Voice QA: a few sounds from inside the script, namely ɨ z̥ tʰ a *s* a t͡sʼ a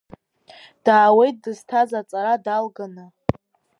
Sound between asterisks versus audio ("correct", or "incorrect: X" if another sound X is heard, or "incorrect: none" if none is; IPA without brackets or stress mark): incorrect: z